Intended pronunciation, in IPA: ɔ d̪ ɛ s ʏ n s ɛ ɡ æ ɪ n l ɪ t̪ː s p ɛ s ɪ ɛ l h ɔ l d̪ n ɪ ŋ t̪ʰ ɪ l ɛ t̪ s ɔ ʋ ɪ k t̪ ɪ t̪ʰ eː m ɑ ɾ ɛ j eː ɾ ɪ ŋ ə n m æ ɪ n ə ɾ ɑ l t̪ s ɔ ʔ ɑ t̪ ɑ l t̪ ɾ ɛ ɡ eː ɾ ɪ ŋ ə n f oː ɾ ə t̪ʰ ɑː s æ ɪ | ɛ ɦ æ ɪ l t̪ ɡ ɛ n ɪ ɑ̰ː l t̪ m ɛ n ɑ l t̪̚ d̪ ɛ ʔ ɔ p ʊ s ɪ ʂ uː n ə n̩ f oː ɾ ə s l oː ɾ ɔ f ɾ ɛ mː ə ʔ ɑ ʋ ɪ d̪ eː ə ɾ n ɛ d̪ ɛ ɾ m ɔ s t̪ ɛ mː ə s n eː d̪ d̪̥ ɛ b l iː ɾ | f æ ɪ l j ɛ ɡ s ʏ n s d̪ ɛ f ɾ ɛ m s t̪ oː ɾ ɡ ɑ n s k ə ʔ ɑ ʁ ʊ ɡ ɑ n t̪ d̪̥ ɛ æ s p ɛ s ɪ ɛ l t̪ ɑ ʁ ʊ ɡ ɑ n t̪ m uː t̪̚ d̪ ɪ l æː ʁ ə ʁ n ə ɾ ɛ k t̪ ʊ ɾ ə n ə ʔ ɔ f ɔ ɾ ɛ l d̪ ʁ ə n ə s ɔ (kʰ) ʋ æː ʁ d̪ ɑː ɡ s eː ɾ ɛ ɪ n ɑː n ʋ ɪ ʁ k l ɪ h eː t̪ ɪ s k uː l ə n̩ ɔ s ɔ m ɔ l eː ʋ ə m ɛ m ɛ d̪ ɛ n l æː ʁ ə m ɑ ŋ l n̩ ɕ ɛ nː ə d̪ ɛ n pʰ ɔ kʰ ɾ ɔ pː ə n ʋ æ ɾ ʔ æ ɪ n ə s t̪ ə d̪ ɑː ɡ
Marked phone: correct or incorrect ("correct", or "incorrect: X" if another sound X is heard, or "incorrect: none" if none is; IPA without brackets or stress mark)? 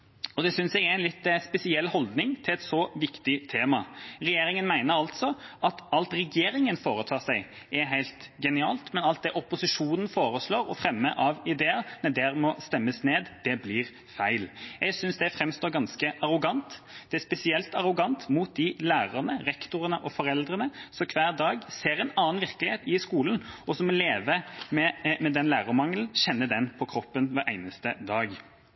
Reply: correct